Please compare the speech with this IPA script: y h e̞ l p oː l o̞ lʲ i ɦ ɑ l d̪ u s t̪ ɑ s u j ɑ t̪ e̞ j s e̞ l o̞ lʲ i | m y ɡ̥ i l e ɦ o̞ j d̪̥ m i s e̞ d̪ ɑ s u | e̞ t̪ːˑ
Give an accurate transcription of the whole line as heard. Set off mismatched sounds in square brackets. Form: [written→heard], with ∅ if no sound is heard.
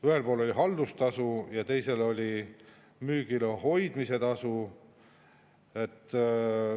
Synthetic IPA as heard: y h e̞ l p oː l o̞ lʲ i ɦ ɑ l d̪ u s t̪ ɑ s u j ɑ t̪ e̞ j s e̞ l o̞ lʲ i | m [y→yː] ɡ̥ i l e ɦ o̞ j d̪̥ m i s e̞ [d̪→t̪] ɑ s u | e̞ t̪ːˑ